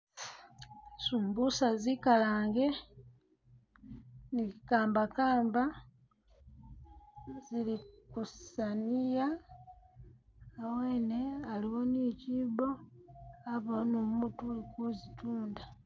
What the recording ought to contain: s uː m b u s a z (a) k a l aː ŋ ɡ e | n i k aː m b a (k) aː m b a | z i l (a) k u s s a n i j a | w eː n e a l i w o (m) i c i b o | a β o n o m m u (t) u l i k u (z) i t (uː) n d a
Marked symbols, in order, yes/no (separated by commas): no, yes, no, no, yes, yes, yes